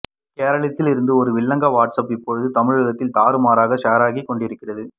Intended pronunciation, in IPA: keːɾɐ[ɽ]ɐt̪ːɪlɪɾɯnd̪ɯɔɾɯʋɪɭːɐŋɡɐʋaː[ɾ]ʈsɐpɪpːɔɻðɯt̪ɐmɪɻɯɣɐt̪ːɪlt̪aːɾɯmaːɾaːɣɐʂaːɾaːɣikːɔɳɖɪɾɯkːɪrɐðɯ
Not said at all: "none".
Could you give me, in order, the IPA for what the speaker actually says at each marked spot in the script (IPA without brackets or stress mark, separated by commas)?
ɭ, none